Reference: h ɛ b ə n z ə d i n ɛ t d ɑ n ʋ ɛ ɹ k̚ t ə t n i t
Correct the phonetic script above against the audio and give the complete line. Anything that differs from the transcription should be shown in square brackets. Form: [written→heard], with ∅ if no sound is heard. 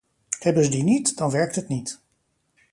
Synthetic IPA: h ɛ b ə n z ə d i n [ɛ→i] t d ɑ n ʋ ɛ ɹ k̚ t ə t n i t